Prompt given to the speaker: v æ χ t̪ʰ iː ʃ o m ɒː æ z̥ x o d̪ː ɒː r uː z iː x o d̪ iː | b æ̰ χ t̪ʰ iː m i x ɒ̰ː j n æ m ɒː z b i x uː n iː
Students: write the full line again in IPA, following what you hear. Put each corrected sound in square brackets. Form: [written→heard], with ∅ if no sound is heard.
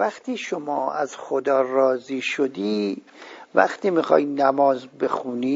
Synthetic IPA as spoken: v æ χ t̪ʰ iː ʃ o m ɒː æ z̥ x o [d̪ː→d̪] ɒː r [uː→ɒː] z iː [x→ʃ] o d̪ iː | [b→v] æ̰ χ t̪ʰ iː m i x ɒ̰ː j n æ m ɒː z b [i→e] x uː n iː